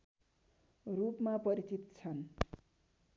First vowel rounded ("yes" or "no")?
yes